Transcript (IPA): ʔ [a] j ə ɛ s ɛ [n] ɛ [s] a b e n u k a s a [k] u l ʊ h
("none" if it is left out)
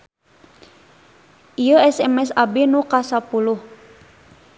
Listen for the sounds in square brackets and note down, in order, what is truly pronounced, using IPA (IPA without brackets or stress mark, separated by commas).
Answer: i, m, s, p